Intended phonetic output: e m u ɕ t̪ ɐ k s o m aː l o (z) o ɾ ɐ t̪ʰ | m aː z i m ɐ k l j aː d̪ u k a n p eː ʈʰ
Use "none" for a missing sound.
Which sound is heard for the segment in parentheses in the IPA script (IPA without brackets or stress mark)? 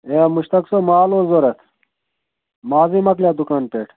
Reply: z